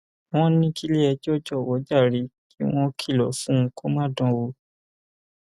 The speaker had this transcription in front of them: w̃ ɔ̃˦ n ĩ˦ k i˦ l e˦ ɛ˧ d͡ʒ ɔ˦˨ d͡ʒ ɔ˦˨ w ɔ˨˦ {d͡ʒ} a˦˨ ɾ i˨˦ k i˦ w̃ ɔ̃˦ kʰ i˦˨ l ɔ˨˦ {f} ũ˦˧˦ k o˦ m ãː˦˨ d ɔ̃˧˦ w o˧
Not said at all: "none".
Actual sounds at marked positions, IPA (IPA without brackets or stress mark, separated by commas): d͡ʒ, f